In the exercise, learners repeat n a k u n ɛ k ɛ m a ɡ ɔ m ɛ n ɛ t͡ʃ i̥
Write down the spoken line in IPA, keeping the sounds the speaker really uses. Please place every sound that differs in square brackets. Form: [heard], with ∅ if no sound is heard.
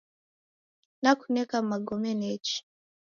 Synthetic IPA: n a k u n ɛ k [a] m a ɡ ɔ m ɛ n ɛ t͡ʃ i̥

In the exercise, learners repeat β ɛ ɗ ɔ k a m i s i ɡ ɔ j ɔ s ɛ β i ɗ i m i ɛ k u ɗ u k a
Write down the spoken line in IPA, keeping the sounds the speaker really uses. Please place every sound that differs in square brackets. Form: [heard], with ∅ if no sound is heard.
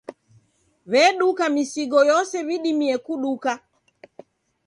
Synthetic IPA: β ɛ ɗ [u] k a m i s i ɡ ɔ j ɔ s ɛ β i ɗ i m i ɛ k u ɗ u k a

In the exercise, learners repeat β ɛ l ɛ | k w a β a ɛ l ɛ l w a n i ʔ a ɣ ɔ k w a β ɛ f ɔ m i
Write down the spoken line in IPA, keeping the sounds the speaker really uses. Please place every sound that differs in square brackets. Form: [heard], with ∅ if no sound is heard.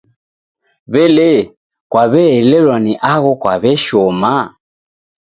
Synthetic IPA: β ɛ l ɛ | k w a β [ɛ] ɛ l ɛ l w a n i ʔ a ɣ ɔ k w a β ɛ [ʃ] ɔ m [a]

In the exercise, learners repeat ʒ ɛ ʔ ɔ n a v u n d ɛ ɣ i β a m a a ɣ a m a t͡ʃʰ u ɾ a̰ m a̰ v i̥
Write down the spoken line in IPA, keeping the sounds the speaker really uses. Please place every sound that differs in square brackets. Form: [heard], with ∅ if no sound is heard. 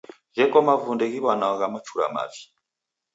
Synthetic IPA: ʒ ɛ [k] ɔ [m] a v u n d ɛ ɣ i β a [n] a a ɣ a m a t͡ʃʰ u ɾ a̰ m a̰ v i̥

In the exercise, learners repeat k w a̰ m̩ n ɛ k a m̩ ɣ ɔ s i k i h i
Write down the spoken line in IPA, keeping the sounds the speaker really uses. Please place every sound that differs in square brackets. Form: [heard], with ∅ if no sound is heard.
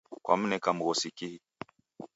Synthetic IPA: k w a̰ m̩ n ɛ k a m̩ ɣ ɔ s i k i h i

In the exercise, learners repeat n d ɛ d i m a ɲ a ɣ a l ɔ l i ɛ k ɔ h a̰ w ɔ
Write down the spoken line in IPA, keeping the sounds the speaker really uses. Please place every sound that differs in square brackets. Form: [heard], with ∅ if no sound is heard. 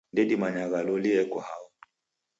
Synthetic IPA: n d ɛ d i m a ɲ a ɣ a l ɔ l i ɛ k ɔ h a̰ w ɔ

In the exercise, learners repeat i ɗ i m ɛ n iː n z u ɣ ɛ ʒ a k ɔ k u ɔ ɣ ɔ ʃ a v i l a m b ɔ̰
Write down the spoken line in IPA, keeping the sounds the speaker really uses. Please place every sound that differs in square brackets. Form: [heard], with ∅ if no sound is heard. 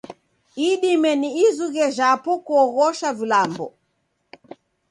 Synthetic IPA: i ɗ i m ɛ n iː [∅] z u ɣ ɛ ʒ a [p] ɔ k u ɔ ɣ ɔ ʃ a v i l a m b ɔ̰

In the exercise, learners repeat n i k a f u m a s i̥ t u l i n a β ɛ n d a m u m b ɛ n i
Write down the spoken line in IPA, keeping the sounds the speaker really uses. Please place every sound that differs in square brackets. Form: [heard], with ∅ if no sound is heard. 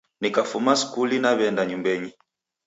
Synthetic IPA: n i k a f u m a s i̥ [k] u l i n a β ɛ n d a [ɲ] u m b ɛ [ɲ] i

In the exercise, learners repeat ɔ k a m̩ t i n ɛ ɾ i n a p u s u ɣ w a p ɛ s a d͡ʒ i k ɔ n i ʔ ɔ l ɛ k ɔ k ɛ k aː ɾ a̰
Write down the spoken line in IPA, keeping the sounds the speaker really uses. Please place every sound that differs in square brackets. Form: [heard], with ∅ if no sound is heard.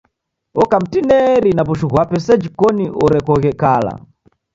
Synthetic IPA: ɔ k a m̩ t i n ɛ ɾ i n a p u [ʃ] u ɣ w a p ɛ s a d͡ʒ i k ɔ n i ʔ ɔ [ɾ] ɛ k ɔ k ɛ k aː [l] a̰

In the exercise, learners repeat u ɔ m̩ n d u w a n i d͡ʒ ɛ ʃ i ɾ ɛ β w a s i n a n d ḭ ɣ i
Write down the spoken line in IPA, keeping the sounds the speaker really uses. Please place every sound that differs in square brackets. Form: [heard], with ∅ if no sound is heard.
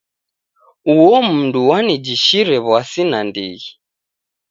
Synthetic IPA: u ɔ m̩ n d u w a n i d͡ʒ [i] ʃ i ɾ ɛ β w a s i n a n d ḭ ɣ i

